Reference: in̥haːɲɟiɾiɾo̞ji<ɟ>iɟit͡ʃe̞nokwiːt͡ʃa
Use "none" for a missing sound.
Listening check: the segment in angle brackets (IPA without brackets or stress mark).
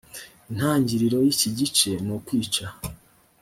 c